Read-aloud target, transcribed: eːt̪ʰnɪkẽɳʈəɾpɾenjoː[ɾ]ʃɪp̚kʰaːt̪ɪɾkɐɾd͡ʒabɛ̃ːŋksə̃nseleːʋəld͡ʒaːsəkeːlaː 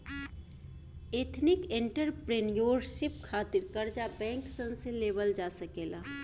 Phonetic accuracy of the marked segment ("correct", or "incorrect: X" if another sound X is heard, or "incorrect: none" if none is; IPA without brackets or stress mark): correct